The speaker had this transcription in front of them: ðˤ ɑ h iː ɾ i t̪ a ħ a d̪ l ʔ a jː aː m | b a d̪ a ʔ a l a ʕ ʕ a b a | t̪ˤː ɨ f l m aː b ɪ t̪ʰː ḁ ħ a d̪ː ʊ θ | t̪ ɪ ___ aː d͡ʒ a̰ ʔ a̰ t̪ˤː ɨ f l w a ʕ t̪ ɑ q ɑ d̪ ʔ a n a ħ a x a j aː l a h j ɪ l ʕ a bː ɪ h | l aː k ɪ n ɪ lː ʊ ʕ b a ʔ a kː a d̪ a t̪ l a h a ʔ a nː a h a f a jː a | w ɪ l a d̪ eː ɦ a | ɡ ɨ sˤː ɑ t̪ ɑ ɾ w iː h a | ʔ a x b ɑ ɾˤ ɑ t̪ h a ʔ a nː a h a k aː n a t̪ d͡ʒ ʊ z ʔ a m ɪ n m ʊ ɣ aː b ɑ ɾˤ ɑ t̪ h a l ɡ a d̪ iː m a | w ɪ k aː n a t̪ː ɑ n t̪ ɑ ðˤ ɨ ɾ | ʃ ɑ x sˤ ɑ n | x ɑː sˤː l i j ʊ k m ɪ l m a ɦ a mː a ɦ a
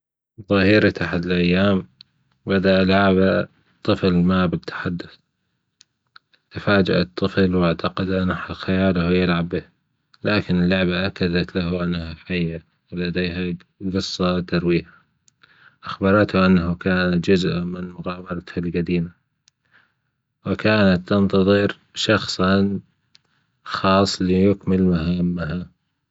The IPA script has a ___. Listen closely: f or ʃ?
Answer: f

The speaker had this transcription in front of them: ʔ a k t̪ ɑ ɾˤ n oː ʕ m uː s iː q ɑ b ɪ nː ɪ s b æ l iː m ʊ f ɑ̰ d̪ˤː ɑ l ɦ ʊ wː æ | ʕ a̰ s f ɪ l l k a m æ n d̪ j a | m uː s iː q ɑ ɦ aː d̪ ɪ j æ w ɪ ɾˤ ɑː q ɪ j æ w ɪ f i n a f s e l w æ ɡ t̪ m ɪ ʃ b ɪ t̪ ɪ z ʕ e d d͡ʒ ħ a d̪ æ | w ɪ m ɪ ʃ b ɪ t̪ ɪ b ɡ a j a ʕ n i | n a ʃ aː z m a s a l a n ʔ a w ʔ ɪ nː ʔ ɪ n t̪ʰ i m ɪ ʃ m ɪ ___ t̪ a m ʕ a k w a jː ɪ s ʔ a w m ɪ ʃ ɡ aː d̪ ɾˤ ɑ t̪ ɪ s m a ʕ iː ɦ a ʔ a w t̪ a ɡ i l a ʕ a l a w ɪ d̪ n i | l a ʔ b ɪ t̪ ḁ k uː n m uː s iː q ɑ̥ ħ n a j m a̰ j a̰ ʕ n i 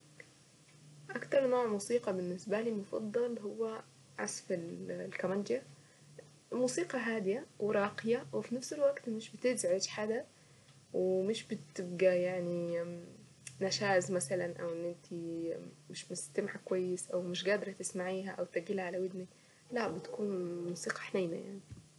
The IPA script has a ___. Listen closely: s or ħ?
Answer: s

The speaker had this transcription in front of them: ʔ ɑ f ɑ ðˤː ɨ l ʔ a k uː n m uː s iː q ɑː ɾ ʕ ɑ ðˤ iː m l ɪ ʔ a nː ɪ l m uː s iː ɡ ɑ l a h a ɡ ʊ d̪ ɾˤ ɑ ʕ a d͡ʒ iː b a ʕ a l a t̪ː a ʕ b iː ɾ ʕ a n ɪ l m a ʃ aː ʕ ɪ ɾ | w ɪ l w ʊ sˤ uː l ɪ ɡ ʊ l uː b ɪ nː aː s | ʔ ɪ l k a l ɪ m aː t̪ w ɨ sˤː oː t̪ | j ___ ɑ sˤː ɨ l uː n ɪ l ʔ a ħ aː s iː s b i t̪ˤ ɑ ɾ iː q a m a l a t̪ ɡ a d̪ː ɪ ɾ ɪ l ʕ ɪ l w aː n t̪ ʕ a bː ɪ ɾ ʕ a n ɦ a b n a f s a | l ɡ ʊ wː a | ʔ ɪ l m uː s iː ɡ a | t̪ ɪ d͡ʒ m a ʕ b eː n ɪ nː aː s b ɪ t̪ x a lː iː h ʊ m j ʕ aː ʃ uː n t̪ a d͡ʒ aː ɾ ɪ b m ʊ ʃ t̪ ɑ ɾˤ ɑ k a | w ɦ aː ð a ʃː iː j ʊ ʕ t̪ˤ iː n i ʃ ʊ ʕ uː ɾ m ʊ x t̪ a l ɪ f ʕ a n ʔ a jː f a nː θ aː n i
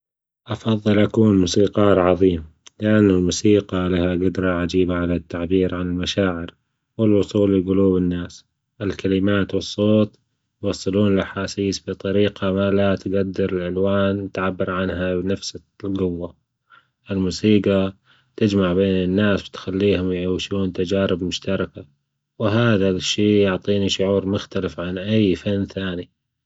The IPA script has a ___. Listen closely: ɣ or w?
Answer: w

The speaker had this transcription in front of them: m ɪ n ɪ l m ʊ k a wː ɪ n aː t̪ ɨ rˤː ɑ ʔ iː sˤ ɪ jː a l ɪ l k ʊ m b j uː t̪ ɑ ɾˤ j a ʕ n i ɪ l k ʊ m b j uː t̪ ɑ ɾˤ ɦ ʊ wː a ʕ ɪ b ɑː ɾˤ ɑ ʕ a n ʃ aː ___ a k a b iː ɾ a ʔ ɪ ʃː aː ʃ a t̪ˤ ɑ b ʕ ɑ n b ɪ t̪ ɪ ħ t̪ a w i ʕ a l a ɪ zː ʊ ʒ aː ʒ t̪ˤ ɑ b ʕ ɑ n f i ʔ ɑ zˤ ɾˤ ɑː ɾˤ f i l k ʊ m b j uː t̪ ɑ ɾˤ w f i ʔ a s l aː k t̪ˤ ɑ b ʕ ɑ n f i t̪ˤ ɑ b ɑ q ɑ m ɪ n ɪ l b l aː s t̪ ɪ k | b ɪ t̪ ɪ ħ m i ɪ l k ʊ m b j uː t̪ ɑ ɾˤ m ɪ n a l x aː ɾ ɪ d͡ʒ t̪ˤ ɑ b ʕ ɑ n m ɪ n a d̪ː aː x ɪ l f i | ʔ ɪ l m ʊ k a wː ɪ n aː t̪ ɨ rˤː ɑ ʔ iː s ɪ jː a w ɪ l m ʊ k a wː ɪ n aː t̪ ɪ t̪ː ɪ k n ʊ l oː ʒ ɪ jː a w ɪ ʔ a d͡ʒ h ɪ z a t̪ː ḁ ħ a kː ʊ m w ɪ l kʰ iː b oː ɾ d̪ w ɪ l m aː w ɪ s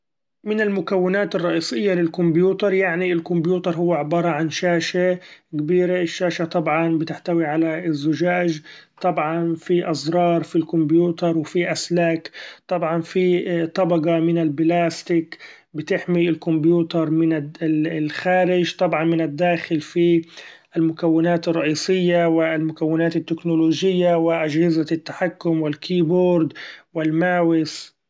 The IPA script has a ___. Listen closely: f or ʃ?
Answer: ʃ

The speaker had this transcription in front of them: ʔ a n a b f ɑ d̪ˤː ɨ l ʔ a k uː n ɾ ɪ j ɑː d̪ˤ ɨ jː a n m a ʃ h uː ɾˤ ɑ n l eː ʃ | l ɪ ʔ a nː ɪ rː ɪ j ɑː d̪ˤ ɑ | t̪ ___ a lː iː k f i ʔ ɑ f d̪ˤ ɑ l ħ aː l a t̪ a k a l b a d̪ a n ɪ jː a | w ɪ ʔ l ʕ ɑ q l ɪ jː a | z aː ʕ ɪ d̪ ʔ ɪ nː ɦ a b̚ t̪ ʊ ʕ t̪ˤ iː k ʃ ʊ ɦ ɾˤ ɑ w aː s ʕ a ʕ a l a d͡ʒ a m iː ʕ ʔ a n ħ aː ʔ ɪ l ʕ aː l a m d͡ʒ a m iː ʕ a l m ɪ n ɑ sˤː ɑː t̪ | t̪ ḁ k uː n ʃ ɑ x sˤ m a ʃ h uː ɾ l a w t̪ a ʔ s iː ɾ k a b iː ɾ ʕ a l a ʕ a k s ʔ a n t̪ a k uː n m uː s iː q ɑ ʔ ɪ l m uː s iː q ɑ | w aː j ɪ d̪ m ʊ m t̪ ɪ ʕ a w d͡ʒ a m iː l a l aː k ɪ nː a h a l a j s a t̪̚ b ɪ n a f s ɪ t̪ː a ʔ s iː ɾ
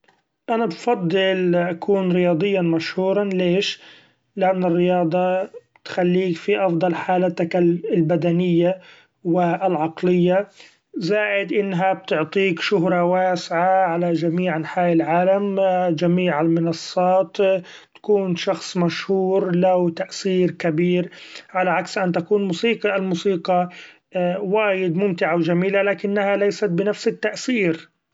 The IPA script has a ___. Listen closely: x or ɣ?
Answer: x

